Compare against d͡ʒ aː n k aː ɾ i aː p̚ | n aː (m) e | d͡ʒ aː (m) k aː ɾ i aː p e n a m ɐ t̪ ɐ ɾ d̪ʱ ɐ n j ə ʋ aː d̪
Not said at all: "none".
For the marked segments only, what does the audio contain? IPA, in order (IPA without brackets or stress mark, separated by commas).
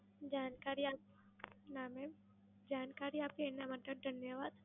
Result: m, n